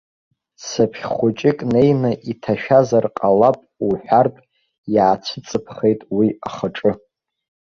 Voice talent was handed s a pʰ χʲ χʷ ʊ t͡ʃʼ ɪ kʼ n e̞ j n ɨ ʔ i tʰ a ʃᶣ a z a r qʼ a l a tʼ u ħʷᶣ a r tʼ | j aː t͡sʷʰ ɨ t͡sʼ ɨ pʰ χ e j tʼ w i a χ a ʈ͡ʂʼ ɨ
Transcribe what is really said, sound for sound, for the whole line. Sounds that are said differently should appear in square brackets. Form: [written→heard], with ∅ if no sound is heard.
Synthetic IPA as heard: s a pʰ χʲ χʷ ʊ t͡ʃʼ ɪ kʼ n e̞ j n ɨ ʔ i tʰ a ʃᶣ a z a r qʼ a l a [tʼ→pʼ] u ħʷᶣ a r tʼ | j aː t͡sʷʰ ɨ t͡sʼ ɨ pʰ χ e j tʼ w i a χ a ʈ͡ʂʼ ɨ